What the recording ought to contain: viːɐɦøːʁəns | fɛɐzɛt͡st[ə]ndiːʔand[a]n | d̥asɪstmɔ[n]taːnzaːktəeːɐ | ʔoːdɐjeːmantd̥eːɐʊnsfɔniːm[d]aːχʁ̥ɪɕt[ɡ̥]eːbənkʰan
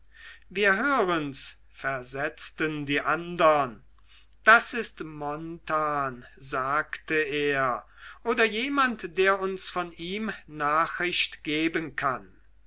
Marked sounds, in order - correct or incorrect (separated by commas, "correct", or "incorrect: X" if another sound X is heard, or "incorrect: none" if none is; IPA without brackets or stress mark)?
correct, incorrect: ɐ, correct, incorrect: n, correct